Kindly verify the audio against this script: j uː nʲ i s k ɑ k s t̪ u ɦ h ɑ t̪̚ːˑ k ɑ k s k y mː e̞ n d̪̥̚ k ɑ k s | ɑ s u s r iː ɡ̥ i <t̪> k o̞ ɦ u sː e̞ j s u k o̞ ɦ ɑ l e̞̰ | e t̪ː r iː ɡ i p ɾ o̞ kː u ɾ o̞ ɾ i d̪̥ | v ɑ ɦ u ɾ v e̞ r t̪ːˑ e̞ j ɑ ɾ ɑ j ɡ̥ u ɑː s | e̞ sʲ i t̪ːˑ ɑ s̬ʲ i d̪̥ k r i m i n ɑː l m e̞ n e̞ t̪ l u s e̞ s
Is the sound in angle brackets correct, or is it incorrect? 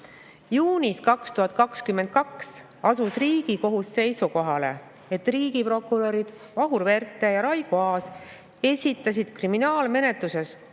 incorrect